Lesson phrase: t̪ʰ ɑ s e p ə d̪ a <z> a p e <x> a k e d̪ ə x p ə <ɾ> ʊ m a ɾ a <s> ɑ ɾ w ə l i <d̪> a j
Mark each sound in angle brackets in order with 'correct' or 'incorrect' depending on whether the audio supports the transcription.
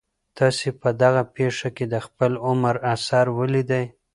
incorrect: ɣ, incorrect: ʂ, incorrect: l, correct, correct

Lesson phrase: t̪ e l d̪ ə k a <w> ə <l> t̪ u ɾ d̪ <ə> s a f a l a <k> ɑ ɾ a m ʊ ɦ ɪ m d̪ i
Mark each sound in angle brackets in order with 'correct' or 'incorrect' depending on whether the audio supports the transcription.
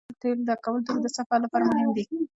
correct, correct, correct, incorrect: p

